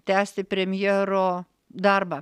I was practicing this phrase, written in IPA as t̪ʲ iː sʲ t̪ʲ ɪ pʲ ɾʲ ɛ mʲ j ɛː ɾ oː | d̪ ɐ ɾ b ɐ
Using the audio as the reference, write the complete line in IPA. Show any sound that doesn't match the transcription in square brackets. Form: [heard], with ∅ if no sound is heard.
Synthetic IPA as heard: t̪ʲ [æː] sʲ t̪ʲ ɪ pʲ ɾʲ ɛ mʲ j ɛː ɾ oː | d̪ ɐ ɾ b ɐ